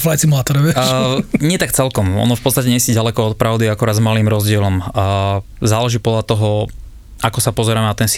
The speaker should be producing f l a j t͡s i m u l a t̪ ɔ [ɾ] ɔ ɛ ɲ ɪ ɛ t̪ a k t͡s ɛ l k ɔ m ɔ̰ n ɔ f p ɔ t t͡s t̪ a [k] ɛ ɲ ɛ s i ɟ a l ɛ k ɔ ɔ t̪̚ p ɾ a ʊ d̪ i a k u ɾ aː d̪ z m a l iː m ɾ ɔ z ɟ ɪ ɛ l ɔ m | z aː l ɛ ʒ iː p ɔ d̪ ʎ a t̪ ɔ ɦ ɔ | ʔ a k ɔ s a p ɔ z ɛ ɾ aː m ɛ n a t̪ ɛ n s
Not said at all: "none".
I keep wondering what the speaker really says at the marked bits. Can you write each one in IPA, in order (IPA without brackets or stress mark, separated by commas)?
ɾ, c